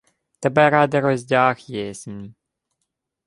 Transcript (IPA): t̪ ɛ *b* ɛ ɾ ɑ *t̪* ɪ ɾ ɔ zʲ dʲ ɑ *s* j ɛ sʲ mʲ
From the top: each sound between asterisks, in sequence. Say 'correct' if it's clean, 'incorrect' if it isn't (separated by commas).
correct, incorrect, incorrect